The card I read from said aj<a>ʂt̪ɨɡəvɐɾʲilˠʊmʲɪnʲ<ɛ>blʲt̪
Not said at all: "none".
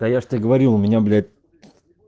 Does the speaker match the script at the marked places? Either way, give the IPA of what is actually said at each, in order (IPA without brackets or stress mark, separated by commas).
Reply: a, a